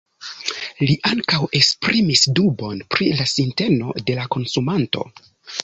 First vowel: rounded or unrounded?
unrounded